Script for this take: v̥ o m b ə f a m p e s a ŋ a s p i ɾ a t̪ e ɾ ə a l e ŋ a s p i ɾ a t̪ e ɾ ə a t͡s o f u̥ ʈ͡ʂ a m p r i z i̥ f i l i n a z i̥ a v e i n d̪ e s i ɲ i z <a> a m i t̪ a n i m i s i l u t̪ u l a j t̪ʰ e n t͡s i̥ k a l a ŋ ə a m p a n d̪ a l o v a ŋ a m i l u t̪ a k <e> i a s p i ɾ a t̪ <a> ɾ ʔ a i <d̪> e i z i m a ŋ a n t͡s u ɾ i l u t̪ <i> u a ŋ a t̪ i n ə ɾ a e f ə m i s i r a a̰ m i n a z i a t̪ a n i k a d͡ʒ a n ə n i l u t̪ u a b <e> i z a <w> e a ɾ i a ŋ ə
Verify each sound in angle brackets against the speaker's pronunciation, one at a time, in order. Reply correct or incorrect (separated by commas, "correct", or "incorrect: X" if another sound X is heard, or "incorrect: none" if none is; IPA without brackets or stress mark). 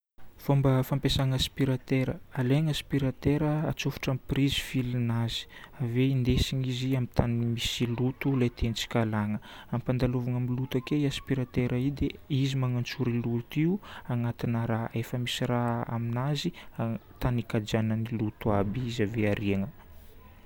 incorrect: i, correct, incorrect: e, correct, correct, incorrect: i, incorrect: v